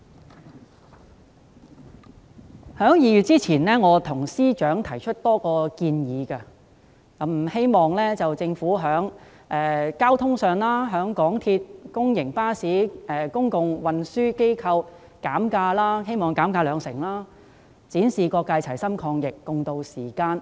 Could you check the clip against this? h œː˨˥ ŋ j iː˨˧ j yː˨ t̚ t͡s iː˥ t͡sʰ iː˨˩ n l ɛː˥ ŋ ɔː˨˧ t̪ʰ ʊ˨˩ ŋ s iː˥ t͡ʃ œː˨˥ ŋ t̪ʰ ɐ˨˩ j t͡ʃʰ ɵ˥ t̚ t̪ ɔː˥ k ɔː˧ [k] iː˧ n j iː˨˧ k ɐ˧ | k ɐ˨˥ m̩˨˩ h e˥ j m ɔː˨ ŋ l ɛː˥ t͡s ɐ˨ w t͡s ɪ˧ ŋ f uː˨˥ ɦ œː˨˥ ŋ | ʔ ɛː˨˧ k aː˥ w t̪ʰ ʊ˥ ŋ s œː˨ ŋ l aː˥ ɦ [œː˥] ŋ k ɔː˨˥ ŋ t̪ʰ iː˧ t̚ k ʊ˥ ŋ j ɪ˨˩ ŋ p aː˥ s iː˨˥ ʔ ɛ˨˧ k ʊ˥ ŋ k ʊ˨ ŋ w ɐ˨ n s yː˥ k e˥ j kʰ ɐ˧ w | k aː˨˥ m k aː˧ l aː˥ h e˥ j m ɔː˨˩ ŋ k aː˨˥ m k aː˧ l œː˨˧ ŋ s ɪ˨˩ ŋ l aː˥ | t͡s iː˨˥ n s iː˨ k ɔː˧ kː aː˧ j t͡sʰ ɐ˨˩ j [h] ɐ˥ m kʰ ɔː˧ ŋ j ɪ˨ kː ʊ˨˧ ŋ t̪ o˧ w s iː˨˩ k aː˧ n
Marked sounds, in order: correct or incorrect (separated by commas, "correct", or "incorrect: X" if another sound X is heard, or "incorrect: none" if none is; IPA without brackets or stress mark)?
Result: correct, incorrect: œː˨˥, incorrect: s